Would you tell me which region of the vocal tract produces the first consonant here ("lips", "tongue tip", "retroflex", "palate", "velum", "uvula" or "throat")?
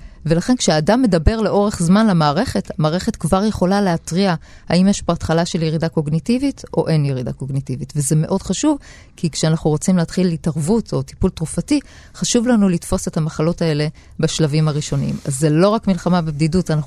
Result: lips